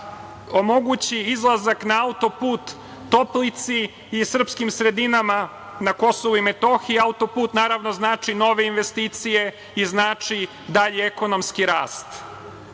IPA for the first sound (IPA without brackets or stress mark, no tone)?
o̞